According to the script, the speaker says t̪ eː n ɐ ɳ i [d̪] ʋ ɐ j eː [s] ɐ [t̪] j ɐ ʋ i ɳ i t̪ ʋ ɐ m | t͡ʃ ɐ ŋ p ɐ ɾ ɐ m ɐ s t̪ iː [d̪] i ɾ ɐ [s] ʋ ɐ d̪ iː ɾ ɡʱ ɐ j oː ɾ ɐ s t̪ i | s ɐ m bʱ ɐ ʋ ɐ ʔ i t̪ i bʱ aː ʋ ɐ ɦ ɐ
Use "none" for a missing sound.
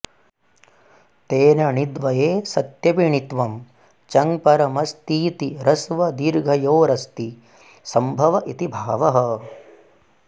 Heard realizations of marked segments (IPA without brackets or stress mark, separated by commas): d̪, s, t̪, t̪, s